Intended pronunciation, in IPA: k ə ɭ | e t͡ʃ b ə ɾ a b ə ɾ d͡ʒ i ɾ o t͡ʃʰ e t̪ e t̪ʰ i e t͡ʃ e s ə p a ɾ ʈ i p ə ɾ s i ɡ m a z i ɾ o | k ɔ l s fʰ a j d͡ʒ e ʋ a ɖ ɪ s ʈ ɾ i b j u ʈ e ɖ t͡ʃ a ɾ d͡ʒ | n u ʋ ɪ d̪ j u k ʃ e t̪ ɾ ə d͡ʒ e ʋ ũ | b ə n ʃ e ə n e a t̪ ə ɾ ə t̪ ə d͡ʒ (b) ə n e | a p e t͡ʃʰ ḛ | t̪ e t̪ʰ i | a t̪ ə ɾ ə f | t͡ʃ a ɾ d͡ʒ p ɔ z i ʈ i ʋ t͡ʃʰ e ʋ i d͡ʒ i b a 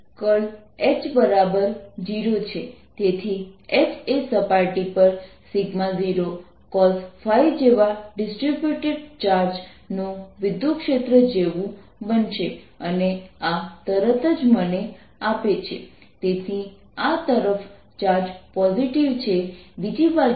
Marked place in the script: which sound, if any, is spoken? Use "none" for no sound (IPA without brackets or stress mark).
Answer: m